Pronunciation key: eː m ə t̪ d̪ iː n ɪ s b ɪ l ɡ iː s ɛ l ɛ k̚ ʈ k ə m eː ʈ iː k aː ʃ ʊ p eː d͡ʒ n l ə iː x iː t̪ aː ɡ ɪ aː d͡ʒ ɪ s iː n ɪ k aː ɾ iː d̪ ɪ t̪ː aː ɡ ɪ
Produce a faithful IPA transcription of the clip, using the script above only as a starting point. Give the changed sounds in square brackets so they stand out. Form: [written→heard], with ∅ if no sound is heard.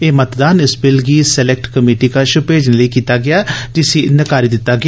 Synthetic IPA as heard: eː m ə t̪ d̪ [iː→aː] n ɪ s b ɪ l ɡ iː s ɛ l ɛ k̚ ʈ k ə m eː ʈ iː k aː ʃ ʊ p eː d͡ʒ n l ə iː [x→k] iː t̪ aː ɡ ɪ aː d͡ʒ ɪ s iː n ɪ k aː ɾ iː d̪ ɪ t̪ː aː ɡ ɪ